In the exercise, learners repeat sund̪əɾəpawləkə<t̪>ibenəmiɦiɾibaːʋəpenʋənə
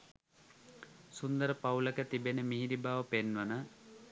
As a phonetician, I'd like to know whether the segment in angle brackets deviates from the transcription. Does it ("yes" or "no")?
no